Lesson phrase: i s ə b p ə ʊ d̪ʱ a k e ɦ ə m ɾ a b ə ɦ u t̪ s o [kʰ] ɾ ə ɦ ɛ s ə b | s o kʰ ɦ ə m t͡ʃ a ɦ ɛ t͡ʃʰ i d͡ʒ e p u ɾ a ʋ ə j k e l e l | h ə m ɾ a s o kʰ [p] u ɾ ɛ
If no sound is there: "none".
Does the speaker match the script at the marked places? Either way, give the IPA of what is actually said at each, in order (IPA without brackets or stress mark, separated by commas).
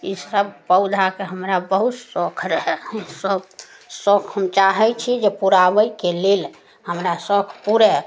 kʰ, p